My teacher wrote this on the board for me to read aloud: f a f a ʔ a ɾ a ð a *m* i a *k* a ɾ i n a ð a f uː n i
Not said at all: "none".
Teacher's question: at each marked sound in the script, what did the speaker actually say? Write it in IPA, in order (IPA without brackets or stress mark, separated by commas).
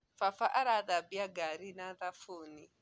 b, ɡ